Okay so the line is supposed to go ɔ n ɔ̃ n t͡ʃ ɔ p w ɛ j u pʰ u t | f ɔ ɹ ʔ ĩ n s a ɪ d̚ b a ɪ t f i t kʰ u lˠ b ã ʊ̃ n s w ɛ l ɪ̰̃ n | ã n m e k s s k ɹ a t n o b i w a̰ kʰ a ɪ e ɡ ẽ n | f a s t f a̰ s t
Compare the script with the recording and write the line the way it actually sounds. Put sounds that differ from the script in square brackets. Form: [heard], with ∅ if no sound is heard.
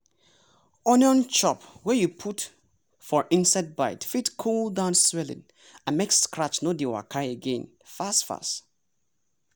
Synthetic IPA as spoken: ɔ n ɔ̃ n t͡ʃ ɔ p w ɛ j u pʰ u t | f ɔ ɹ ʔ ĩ n s a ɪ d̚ b a ɪ t f i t kʰ u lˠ [d] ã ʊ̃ n s w ɛ l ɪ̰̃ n | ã n m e k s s k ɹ a [t͡ʃ] n o [d] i w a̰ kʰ a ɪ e ɡ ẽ n | f a s t f a̰ s t